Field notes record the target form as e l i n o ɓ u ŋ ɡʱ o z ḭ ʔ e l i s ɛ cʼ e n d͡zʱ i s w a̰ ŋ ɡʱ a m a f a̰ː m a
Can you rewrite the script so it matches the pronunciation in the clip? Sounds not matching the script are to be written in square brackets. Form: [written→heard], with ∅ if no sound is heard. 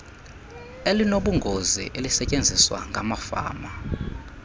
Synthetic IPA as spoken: e l i n o ɓ u ŋ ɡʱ o z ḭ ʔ e l i s ɛ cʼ e n d͡zʱ i s w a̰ ŋ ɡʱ a m a f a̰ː m a